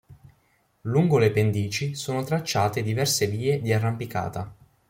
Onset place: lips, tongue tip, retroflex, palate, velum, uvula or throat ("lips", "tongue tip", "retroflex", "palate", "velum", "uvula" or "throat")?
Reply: tongue tip